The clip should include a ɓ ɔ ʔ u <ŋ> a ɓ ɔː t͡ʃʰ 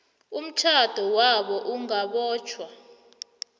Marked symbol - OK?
yes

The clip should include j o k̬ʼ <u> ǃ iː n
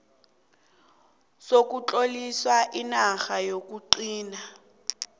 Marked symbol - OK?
yes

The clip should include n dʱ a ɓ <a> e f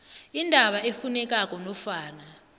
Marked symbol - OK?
yes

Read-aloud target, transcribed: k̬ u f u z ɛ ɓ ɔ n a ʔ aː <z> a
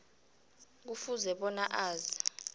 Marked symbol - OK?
yes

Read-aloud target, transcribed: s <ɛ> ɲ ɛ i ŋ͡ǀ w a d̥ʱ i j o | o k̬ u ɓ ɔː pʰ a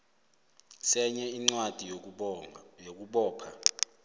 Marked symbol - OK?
yes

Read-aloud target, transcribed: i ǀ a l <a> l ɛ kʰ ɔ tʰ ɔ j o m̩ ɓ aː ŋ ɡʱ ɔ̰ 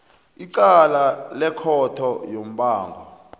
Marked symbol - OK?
yes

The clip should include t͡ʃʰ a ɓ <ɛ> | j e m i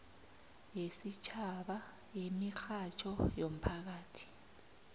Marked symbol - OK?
no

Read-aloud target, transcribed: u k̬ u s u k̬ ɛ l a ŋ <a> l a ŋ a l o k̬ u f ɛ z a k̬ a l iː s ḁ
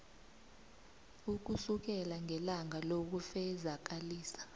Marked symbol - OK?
no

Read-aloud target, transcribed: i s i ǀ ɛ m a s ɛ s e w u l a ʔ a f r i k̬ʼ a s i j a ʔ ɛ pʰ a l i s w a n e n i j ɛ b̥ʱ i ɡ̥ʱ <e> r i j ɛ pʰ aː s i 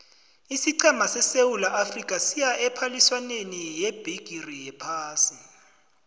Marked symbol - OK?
no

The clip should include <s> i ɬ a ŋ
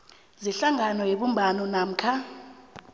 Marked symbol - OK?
no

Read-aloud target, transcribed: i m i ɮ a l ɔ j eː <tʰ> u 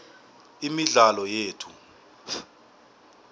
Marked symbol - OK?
yes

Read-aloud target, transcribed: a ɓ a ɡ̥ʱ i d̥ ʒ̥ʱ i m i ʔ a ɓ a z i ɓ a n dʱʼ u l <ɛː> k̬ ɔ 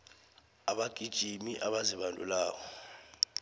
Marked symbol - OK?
no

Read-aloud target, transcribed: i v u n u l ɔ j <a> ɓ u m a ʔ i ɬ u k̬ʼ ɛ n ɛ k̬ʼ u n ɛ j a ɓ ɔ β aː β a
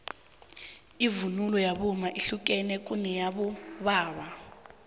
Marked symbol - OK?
yes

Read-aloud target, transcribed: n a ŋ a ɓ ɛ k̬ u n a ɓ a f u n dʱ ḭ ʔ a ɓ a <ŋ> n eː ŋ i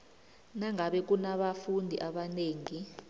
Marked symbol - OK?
no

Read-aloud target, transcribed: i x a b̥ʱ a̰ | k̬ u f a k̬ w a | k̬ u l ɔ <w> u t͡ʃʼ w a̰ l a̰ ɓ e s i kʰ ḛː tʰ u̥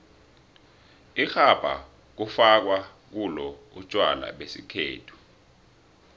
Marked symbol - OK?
no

